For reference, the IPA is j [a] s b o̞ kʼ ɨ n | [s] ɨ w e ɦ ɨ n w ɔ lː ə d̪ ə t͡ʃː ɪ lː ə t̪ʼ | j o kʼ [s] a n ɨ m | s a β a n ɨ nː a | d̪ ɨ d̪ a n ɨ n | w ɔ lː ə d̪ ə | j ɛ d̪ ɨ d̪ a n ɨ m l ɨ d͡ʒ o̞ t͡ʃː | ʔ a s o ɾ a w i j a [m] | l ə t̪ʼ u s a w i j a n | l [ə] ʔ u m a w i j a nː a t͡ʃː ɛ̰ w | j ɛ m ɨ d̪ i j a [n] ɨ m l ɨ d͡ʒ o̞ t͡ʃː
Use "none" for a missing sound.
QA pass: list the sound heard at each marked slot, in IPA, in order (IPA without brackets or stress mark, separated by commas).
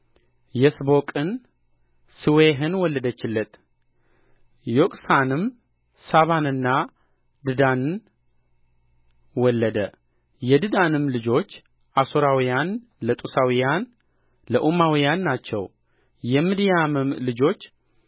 ɛ, s, s, n, ə, m